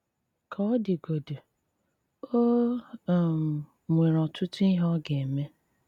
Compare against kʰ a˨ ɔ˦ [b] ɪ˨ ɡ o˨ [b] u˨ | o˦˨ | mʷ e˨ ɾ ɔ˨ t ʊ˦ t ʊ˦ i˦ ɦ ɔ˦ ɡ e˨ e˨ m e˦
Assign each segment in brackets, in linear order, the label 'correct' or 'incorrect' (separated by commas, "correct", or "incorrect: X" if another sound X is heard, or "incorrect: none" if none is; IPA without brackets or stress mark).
incorrect: d, incorrect: d